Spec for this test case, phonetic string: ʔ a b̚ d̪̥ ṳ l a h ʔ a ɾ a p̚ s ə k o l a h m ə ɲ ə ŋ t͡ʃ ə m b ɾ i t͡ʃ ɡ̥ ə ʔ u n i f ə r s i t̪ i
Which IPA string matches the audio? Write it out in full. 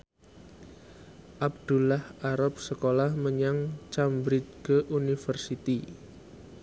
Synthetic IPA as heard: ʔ a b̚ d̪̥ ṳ l a h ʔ a ɾ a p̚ s ə k o l a h m ə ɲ a ŋ t͡ʃ a m b ɾ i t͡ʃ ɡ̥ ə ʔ u n i f ə r s i t̪ i